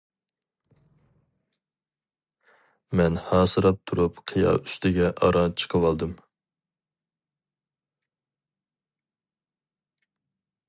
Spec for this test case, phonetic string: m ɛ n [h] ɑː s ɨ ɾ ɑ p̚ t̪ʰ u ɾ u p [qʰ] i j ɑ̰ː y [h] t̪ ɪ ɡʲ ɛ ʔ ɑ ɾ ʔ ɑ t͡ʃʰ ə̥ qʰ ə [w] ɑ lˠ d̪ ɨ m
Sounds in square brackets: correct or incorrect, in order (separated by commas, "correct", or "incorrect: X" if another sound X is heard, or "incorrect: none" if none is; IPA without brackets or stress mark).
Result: correct, correct, incorrect: s, correct